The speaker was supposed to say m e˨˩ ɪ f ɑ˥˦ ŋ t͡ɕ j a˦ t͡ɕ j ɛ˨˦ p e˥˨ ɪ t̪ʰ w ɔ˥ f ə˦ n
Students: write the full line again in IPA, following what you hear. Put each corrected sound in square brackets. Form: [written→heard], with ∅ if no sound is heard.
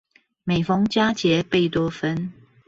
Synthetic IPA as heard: m e˨˩ ɪ f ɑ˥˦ ŋ t͡ɕ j a˦ t͡ɕ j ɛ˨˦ p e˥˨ ɪ [t̪ʰ→t̪] w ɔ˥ f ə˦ n